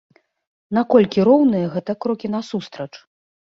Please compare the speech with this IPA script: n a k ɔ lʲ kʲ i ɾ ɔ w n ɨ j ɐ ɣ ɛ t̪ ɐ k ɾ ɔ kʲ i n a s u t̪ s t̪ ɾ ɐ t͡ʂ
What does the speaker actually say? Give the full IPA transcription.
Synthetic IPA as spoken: n a k ɔ lʲ kʲ i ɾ ɔ w n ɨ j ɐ ɣ ɛ t̪ ɐ k ɾ ɔ kʲ i n a s u s t̪ ɾ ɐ t͡ʂ